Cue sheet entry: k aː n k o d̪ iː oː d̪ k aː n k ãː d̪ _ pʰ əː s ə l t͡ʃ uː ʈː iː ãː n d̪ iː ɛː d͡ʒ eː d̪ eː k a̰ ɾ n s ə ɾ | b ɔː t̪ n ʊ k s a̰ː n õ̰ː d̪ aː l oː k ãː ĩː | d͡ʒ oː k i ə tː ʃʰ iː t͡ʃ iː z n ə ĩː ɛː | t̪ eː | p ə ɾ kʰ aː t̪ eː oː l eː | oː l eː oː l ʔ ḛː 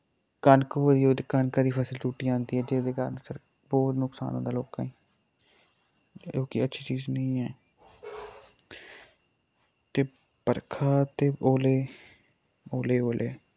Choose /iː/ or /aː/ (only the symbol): iː